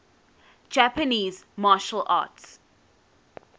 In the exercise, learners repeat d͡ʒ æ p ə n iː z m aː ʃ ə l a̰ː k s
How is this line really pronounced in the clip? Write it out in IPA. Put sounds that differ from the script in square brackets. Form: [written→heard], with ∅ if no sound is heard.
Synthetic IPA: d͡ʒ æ p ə n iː z m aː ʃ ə l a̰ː [k→t] s